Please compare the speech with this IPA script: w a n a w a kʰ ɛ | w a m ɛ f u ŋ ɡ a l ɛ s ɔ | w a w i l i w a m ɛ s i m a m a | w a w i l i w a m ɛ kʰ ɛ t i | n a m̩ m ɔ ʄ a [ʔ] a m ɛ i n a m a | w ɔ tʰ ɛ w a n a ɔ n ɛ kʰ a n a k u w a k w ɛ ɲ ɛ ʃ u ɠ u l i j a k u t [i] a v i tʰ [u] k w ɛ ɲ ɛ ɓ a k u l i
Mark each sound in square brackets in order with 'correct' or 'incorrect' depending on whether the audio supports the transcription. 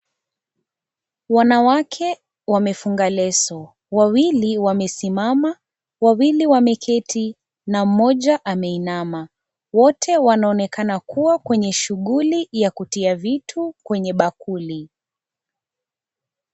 correct, correct, correct

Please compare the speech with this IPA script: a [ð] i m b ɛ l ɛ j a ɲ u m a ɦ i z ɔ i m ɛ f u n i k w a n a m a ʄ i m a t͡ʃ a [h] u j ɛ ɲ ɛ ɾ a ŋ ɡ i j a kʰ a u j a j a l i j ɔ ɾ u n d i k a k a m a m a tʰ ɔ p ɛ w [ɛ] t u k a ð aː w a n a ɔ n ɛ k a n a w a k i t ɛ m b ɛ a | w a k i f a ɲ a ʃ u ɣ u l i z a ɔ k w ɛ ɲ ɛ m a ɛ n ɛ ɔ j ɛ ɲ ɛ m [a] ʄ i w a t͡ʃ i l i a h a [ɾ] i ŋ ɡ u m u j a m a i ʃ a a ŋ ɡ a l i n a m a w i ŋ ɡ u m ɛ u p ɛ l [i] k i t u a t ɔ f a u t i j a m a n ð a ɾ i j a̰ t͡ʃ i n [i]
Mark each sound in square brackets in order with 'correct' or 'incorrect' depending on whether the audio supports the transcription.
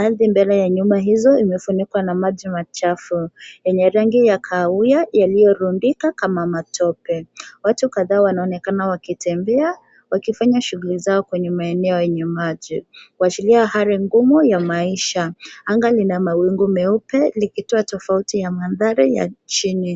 correct, incorrect, incorrect, correct, correct, correct, correct

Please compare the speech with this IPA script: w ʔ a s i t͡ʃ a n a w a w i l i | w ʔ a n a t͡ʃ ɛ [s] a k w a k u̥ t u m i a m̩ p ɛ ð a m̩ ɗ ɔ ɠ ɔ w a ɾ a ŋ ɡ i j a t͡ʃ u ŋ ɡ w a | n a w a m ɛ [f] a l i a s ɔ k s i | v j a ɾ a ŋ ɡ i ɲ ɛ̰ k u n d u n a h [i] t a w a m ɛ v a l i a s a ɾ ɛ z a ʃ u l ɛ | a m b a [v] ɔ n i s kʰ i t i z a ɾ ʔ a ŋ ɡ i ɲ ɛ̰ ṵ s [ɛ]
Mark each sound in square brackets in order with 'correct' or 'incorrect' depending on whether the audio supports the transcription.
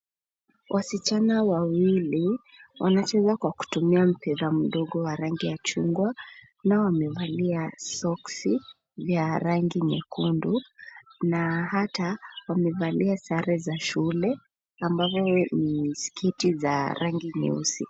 incorrect, incorrect, incorrect, correct, incorrect

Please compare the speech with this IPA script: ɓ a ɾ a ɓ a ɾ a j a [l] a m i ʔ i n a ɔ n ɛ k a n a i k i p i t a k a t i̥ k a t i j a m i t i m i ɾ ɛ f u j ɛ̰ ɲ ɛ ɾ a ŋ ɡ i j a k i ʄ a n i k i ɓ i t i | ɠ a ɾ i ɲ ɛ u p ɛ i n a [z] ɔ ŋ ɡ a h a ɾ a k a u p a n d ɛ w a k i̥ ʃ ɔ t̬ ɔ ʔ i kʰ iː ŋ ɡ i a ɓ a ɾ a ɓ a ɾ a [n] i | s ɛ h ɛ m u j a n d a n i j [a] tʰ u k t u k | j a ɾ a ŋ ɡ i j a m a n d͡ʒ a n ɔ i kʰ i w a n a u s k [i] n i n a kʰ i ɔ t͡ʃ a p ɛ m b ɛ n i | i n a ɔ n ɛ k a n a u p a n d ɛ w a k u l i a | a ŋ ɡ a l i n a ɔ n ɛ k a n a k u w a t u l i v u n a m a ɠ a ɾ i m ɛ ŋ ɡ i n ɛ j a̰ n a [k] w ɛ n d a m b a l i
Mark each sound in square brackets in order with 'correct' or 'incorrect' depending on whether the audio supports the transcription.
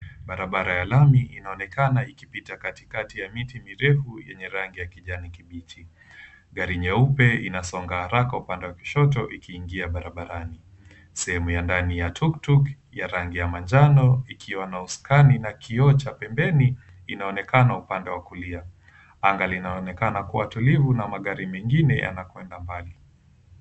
correct, incorrect, correct, correct, incorrect, correct

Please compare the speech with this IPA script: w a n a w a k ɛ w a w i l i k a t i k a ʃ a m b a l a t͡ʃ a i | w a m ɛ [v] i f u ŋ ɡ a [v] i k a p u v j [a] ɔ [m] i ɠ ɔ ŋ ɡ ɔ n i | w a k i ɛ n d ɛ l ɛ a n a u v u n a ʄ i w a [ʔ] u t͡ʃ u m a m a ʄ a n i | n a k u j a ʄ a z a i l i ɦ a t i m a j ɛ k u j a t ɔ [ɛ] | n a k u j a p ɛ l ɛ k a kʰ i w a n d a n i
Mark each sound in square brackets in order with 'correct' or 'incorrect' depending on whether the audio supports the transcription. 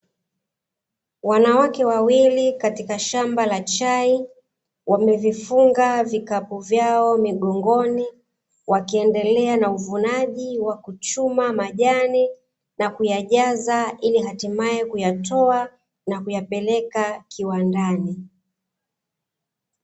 correct, correct, correct, correct, incorrect, incorrect

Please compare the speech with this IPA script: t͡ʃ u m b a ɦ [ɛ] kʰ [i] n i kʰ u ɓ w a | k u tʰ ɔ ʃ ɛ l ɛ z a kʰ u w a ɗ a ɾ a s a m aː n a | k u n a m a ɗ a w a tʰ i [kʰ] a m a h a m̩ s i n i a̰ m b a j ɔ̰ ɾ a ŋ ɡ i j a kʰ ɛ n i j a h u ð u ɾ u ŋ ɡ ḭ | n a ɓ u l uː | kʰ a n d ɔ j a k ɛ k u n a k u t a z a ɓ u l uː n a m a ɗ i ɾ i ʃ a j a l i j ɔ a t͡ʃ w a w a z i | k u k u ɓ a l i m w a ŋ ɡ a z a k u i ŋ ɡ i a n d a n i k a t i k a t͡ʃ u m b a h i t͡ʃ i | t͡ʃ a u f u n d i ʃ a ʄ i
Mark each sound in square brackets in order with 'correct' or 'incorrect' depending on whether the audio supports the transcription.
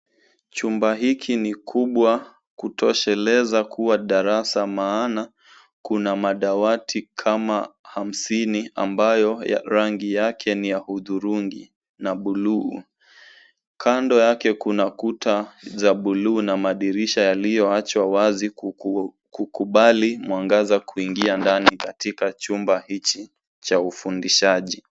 incorrect, correct, correct

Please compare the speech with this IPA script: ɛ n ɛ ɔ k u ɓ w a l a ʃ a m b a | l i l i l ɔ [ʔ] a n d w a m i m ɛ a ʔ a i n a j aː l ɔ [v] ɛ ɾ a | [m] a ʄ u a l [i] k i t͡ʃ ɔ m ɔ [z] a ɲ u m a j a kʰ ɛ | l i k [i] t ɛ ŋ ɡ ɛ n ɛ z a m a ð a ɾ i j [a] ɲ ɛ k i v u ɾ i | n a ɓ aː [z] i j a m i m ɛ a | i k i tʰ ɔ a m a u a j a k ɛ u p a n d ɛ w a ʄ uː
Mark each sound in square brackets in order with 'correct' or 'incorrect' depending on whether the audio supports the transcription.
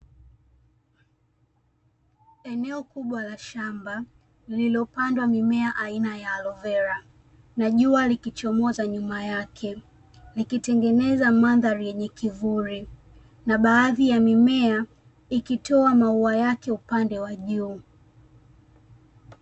incorrect, correct, incorrect, correct, correct, correct, incorrect, incorrect

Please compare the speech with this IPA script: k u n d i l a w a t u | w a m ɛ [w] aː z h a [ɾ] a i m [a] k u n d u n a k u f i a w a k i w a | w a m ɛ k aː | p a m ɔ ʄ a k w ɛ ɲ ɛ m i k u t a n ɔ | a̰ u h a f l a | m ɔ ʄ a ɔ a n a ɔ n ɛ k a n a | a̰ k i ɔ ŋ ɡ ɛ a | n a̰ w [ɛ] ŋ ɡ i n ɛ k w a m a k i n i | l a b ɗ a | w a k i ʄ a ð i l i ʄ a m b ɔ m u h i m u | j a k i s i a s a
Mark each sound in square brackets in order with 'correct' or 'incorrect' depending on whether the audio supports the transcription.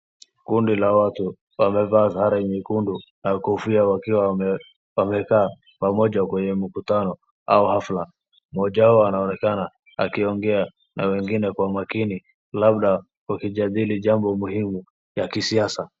incorrect, correct, incorrect, correct

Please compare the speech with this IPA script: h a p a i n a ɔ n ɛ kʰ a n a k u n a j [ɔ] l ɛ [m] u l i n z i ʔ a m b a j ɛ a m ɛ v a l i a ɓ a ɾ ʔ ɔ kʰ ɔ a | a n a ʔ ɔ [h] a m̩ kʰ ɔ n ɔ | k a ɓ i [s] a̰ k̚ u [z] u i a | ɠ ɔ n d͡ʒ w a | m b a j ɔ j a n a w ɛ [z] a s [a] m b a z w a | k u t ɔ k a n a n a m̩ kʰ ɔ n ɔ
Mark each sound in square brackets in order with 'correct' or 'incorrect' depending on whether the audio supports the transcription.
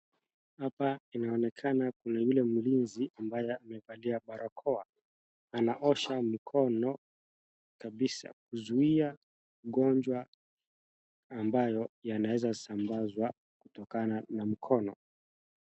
incorrect, correct, incorrect, correct, correct, correct, correct

